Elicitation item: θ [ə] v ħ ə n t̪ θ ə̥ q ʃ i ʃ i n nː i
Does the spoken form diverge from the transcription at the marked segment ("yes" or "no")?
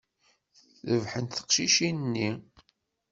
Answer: no